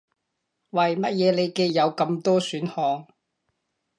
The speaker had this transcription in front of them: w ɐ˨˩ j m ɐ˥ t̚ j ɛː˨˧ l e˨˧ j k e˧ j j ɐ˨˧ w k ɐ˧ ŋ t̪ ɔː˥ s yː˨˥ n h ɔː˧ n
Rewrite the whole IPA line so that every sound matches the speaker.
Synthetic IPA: w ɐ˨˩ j m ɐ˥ t̚ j ɛː˨˧ l e˨˧ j k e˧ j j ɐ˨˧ w k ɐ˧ m t̪ ɔː˥ s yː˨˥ n h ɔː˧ ŋ